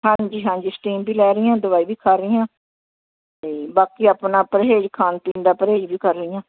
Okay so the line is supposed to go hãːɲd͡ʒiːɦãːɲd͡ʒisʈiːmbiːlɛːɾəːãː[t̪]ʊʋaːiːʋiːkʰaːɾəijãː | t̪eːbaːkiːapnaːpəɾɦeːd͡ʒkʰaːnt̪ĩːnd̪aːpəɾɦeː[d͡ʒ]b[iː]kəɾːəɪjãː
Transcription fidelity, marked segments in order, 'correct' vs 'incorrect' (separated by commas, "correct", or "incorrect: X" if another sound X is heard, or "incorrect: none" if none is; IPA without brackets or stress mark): incorrect: d̪, correct, correct